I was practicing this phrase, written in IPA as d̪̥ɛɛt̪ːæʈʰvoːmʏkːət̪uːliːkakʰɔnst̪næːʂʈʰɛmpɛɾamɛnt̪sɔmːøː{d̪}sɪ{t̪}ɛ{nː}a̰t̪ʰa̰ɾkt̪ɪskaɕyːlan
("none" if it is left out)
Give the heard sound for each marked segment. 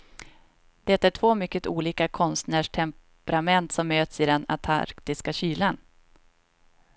t̪, d̪, n

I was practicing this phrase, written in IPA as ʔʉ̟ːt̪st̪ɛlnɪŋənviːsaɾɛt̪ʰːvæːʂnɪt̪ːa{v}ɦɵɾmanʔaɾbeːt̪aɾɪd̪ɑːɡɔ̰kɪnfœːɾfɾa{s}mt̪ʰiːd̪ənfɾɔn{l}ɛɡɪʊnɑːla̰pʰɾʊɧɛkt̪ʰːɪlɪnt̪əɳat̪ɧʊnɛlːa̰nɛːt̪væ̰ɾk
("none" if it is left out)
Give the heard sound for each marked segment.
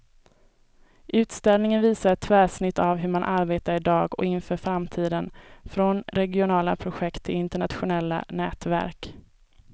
v, none, ɾ

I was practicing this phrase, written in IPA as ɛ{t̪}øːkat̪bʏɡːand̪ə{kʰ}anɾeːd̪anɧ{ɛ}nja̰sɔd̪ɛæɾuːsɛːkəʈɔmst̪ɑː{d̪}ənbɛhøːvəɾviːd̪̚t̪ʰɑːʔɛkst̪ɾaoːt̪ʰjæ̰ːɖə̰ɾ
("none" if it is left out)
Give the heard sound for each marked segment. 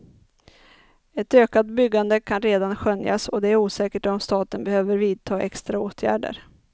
t̪, kʰ, œ, t̪

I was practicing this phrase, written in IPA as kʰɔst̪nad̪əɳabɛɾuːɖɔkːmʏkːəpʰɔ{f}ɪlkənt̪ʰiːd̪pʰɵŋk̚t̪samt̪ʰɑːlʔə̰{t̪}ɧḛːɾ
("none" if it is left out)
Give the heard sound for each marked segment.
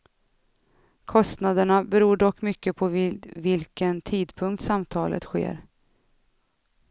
v, t̪

